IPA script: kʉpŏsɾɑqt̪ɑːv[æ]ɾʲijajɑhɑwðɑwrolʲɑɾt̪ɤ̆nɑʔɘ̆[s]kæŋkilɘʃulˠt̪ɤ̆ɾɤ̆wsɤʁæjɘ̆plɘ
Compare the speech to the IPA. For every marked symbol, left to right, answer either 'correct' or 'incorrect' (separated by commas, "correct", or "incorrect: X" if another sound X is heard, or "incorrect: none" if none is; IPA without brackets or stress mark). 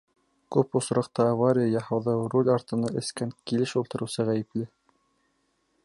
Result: incorrect: a, correct